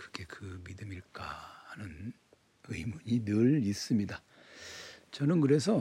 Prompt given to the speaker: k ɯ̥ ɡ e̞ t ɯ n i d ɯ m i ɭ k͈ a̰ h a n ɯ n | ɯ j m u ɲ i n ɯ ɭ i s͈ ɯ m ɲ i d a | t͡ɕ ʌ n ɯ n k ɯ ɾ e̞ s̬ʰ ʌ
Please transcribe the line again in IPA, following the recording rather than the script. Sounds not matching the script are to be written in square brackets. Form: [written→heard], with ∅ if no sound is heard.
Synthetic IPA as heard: k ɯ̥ ɡ e̞ [t→k] ɯ [n→m] i d ɯ m i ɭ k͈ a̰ h a n ɯ n | ɯ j m u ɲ i n ɯ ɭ i s͈ ɯ m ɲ i d a | t͡ɕ ʌ n ɯ n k ɯ ɾ e̞ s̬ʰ ʌ